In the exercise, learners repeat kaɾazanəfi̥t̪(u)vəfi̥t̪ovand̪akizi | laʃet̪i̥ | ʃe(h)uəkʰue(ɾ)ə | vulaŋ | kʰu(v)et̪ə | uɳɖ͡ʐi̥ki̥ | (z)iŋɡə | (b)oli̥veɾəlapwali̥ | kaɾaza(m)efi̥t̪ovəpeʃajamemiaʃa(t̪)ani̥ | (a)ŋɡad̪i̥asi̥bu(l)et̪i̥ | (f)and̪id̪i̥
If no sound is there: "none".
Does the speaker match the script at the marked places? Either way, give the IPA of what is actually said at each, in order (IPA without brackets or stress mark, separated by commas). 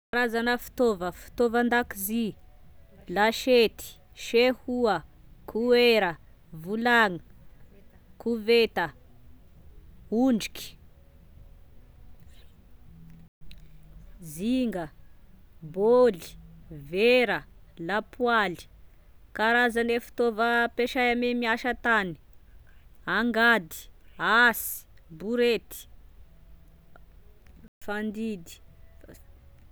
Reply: o, h, ɾ, v, z, b, n, t̪, a, ɾ, f